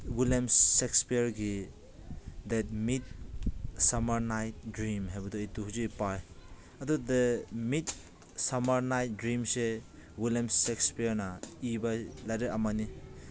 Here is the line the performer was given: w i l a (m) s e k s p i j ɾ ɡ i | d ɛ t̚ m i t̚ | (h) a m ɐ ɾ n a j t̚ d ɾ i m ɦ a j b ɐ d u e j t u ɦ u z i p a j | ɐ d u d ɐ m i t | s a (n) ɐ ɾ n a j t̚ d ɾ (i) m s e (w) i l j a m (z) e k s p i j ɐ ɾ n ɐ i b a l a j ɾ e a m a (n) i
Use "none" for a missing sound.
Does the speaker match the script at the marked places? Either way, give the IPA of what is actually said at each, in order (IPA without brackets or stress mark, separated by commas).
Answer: m, s, m, i, w, s, n